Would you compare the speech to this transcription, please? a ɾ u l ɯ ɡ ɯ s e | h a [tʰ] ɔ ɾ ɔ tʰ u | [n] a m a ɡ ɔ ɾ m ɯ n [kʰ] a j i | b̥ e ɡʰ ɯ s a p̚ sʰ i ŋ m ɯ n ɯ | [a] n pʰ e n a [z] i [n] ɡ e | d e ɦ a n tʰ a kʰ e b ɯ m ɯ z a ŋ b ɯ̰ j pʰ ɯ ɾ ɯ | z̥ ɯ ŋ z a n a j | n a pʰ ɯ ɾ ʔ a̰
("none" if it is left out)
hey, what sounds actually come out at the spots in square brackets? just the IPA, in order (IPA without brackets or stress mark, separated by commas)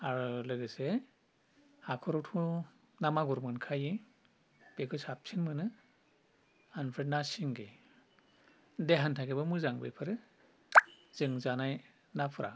kʰ, n, kʰ, a, s, ŋ